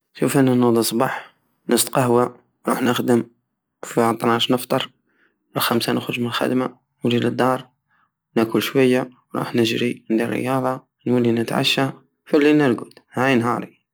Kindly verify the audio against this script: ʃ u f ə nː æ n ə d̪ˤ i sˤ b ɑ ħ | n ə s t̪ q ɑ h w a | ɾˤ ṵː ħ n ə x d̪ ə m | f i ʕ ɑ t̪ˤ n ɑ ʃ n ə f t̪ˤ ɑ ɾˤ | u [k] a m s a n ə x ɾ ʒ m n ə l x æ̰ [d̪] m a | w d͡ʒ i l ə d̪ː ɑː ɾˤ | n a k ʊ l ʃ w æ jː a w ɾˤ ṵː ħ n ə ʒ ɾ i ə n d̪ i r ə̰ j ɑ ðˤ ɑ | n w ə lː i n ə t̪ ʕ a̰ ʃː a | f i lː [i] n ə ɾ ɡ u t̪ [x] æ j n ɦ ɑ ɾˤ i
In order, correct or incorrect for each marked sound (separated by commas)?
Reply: incorrect, correct, correct, incorrect